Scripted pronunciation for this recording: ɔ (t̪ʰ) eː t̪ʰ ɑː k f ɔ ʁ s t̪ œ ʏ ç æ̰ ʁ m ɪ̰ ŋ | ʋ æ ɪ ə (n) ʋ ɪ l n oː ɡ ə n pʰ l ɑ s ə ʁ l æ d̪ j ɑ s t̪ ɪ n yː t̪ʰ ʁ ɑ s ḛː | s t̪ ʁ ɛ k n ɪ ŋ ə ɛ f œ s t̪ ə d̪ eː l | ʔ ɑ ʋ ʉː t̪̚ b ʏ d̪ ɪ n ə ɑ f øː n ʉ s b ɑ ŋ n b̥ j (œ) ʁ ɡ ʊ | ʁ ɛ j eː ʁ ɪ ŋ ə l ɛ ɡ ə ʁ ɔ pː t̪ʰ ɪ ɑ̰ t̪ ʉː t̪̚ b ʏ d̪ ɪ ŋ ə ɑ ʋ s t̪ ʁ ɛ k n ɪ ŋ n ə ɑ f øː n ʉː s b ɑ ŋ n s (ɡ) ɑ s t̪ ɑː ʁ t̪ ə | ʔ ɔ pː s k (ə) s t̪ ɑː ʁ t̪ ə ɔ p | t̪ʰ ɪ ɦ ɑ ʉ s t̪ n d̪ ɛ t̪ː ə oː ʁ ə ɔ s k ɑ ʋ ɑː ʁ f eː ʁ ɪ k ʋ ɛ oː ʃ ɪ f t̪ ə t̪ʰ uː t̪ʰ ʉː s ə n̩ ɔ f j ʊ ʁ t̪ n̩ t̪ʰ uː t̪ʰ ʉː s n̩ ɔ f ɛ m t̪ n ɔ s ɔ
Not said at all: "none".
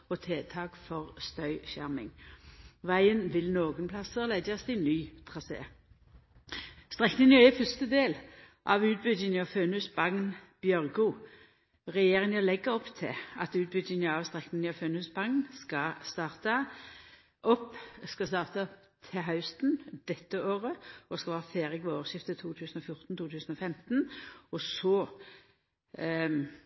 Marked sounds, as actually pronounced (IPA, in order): t̪ʰ, n, œ, k, ɑ

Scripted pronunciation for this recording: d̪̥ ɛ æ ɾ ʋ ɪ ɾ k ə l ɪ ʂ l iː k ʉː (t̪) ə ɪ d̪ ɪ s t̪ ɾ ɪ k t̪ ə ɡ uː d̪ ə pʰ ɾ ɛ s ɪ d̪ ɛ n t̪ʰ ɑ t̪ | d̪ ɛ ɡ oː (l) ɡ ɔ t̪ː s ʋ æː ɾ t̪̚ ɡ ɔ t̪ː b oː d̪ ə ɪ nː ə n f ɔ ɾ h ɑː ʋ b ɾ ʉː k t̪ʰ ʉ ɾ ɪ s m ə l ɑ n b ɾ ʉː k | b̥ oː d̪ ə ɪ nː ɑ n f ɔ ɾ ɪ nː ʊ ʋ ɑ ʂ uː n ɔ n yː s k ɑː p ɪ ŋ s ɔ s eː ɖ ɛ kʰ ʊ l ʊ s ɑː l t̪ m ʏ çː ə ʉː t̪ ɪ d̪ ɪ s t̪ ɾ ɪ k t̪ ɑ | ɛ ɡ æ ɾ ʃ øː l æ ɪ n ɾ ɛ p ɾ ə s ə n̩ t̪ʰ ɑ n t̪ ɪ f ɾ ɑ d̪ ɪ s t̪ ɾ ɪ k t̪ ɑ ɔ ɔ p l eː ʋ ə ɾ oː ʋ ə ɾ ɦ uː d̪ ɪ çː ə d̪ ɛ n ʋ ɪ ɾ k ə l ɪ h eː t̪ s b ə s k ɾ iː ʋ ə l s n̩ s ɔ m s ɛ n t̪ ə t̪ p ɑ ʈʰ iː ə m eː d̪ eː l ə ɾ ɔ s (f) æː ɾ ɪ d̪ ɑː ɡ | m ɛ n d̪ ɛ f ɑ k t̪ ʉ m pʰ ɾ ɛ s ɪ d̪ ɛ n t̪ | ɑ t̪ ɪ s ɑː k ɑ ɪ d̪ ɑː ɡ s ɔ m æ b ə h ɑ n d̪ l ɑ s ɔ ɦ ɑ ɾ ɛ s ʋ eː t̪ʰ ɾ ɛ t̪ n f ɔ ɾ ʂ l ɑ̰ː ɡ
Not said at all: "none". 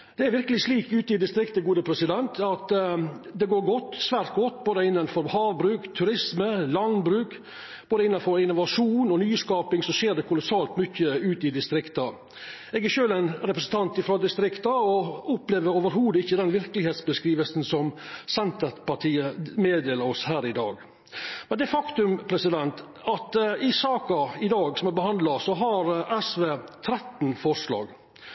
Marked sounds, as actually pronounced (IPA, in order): t̪, ɾ, h

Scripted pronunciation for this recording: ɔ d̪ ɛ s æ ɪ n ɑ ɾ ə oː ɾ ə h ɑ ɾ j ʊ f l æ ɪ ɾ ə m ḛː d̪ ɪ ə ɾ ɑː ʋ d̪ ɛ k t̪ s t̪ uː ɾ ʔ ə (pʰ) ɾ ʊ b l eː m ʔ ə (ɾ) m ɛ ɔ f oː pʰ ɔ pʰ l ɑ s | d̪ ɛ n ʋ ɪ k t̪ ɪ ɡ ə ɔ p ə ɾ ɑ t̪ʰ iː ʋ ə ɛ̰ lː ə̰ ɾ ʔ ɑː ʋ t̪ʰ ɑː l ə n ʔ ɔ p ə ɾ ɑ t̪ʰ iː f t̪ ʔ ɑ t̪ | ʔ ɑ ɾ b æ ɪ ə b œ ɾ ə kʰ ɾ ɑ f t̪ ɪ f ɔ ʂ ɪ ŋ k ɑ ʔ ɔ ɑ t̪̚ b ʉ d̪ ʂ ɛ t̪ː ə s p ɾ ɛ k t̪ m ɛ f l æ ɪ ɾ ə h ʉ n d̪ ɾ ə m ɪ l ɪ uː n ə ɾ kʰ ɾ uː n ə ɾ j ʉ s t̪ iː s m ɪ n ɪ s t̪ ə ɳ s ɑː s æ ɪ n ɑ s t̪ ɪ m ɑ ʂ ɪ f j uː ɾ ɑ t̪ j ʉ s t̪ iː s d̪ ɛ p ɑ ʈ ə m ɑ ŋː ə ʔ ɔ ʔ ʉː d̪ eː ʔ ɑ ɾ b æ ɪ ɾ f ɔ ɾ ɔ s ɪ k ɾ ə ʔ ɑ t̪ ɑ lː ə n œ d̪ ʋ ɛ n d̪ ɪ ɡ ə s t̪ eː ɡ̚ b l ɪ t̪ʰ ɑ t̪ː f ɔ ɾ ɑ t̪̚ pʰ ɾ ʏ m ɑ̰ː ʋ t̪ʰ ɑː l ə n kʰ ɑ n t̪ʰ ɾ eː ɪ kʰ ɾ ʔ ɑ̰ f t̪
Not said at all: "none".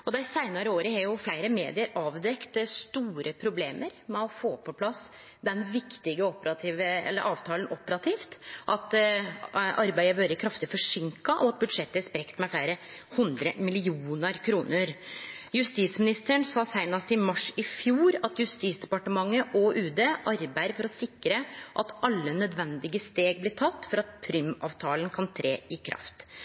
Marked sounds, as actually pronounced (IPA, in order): pʰ, ɾ

